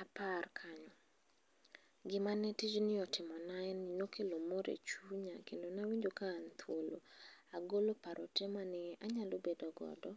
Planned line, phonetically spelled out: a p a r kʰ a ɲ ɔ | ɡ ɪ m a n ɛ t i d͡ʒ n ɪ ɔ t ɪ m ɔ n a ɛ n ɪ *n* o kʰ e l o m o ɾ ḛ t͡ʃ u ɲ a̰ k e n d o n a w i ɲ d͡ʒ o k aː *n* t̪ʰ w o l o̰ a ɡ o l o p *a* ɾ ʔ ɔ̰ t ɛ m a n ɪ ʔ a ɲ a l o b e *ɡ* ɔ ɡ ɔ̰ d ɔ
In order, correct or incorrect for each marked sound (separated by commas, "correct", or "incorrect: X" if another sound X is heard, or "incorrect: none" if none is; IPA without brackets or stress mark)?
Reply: correct, correct, correct, incorrect: d